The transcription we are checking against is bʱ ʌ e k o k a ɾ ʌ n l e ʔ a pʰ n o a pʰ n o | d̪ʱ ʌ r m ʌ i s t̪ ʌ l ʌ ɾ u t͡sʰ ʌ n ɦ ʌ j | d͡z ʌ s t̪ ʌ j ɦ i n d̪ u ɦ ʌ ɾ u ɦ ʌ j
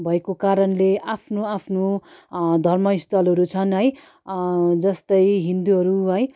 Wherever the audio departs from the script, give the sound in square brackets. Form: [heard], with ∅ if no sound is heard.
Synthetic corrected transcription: bʱ ʌ e k o k a ɾ ʌ n l e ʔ a pʰ n o a pʰ n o | d̪ʱ ʌ r m ʌ i s t̪ ʌ l ʌ ɾ u t͡sʰ ʌ n ɦ ʌ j | d͡z ʌ s t̪ ʌ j ɦ i n d̪ u ɦ ʌ ɾ u ɦ ʌ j